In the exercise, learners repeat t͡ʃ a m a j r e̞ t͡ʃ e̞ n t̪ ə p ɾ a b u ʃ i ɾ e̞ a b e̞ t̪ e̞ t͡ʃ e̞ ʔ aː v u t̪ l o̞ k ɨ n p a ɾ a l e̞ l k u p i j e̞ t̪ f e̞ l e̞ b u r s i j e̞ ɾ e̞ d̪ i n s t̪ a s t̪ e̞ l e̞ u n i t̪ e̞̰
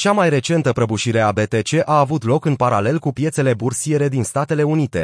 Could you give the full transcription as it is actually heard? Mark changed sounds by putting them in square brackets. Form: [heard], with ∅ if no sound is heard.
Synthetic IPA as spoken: t͡ʃ a m a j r e̞ t͡ʃ e̞ n t̪ ə p ɾ [ə] b u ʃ i ɾ e̞ a b e̞ t̪ e̞ t͡ʃ e̞ ʔ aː v u t̪ l o̞ k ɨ n p a ɾ a l e̞ l k u p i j e̞ t̪ [s] e̞ l e̞ b u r s i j e̞ ɾ e̞ d̪ i n s t̪ a [∅] t̪ e̞ l e̞ u n i t̪ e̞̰